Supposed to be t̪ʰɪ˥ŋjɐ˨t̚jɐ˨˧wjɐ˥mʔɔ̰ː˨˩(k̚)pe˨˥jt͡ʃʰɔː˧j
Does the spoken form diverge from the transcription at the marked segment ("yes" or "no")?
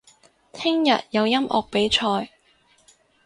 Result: no